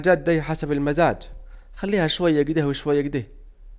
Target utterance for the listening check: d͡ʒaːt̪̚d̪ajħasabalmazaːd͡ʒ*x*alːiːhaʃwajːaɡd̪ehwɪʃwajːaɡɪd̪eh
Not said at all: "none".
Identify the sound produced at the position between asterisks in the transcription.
x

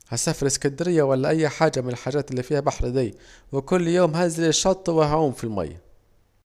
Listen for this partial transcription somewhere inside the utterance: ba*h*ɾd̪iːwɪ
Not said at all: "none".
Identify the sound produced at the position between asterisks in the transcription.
ħ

